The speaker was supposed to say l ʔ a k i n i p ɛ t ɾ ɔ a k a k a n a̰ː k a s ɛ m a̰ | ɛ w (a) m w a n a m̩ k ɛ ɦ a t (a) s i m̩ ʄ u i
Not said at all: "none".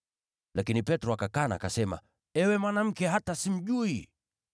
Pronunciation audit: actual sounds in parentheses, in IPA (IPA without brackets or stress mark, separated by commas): ɛ, a